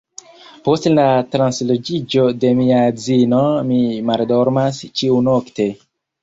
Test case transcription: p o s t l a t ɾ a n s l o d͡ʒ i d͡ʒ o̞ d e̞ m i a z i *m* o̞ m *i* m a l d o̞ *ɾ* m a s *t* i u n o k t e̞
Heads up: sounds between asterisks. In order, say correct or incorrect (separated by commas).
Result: incorrect, correct, correct, incorrect